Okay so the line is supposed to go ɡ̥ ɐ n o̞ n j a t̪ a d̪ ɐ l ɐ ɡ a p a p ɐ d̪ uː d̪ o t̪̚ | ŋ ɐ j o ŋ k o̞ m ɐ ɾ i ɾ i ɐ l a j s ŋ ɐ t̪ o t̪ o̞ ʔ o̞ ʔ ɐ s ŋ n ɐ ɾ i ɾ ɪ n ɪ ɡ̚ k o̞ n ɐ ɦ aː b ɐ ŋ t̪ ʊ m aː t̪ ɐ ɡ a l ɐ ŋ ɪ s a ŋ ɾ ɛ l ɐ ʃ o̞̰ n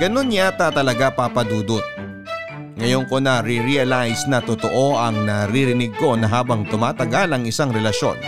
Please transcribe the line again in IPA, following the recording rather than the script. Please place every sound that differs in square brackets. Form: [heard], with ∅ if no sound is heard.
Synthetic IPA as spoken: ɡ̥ ɐ n o̞ n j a t̪ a [t̪] ɐ l ɐ ɡ a p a p ɐ d̪ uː d̪ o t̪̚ | ŋ ɐ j o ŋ k o̞ [n] ɐ ɾ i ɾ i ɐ l a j s [n] ɐ t̪ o t̪ o̞ ʔ o̞ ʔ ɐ [∅] ŋ n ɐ ɾ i ɾ ɪ n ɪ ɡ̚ k o̞ n ɐ ɦ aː b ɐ ŋ t̪ ʊ m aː t̪ ɐ ɡ a l ɐ ŋ ɪ s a ŋ ɾ ɛ l ɐ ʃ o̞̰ n